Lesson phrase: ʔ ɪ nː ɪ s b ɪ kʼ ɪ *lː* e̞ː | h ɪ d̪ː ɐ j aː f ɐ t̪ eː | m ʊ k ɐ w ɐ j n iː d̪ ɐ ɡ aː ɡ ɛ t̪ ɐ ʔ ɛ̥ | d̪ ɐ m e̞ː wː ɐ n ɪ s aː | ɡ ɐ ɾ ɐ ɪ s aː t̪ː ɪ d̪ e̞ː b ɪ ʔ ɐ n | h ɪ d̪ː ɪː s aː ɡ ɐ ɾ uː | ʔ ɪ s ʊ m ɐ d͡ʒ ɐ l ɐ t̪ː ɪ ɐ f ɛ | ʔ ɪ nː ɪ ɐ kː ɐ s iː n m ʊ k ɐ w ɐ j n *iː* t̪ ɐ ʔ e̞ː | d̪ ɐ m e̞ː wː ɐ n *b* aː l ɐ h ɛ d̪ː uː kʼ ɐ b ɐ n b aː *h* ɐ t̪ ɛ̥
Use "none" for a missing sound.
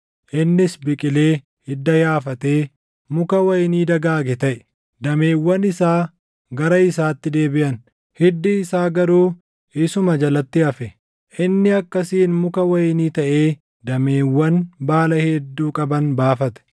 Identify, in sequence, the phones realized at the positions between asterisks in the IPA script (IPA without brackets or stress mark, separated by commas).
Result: l, iː, b, f